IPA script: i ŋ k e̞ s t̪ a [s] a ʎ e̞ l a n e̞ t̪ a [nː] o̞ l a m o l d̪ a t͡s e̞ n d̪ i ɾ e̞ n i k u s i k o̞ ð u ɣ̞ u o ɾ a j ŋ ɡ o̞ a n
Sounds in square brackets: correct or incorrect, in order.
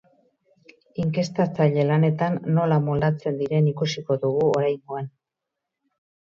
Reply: incorrect: t͡s, correct

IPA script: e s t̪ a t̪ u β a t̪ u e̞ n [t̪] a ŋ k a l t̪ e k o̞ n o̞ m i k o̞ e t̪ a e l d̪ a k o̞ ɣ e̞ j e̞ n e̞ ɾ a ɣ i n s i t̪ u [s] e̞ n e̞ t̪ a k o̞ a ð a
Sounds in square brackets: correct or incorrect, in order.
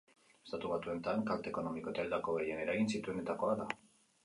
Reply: correct, incorrect: none

